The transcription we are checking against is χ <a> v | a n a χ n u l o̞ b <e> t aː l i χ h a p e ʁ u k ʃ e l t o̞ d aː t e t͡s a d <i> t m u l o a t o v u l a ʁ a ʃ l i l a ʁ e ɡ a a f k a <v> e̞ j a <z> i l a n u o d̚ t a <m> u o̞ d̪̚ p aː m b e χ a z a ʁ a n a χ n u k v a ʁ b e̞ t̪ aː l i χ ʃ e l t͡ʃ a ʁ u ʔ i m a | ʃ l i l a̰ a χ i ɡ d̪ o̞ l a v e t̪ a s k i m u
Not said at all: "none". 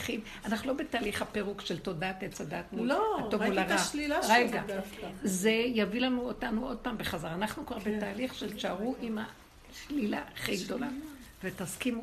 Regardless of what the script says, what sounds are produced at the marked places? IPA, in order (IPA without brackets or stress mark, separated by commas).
i, e, a, z, v, n